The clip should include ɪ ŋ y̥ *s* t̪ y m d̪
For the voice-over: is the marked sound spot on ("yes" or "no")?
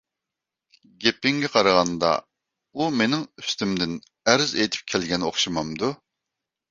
yes